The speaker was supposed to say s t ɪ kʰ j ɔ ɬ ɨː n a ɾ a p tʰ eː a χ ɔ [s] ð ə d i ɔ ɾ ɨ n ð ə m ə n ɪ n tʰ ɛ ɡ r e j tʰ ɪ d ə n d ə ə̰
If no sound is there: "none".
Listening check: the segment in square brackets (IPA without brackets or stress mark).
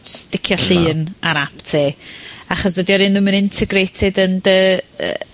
s